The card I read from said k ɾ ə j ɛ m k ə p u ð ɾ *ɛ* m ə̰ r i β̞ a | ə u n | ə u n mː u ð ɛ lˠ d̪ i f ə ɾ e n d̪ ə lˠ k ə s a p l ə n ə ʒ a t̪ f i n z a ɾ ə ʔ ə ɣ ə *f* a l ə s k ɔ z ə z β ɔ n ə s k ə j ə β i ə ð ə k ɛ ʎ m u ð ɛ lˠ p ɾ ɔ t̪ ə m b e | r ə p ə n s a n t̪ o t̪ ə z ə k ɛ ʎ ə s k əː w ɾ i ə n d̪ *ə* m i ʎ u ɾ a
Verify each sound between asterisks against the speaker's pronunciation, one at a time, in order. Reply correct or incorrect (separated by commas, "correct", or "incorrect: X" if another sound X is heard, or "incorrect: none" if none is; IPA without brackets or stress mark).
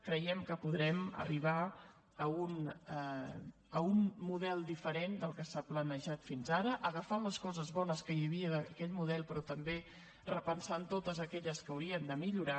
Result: correct, correct, correct